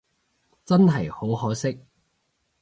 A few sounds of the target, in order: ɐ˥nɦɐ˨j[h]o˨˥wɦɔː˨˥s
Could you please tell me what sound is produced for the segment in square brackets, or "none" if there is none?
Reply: h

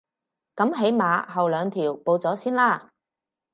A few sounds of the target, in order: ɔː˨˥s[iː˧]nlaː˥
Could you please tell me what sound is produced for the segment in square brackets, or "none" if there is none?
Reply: iː˥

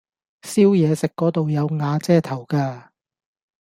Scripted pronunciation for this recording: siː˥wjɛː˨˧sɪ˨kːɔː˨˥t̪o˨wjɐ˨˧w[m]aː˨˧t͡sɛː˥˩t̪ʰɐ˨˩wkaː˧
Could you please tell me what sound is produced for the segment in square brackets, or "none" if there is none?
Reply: ŋ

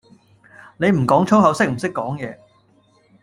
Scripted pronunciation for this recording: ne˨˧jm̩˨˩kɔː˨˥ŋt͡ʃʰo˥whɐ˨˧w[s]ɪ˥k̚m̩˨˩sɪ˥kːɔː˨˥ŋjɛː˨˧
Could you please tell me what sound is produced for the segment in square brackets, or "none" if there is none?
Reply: s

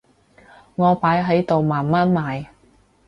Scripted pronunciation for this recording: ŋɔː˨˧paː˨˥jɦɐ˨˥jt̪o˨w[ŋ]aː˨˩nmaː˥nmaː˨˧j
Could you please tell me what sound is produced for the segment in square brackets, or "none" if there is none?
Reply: m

